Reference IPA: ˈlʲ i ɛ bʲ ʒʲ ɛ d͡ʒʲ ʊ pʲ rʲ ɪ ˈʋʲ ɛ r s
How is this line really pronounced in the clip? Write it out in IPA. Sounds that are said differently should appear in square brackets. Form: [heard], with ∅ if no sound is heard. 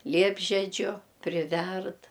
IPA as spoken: ˈlʲ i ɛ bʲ ʒʲ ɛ d͡ʒʲ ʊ pʲ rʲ ɪ ˈʋʲ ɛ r [t]